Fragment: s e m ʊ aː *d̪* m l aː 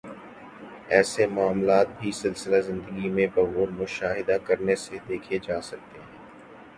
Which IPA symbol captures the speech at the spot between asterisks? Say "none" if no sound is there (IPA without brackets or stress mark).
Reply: none